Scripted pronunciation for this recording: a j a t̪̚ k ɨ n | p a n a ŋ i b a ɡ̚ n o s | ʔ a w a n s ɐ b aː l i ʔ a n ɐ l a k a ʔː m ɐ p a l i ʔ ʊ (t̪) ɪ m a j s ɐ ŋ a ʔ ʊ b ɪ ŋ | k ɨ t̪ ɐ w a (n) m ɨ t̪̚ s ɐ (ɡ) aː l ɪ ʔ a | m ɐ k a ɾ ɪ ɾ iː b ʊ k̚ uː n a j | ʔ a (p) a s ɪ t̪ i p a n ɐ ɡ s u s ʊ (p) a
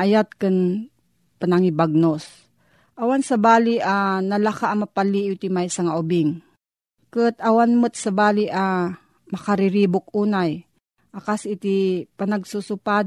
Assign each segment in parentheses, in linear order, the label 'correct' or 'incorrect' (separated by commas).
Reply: correct, correct, incorrect, incorrect, correct